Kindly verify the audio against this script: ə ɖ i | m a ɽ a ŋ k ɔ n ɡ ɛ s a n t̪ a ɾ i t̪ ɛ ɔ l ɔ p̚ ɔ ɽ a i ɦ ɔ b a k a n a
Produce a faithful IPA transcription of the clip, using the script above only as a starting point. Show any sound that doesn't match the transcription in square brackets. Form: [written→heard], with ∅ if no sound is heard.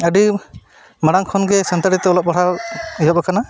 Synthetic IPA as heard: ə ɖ i | m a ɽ a ŋ [k→kʰ] ɔ n ɡ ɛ s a n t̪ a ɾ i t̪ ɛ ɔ l ɔ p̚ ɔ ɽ a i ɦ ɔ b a k a n a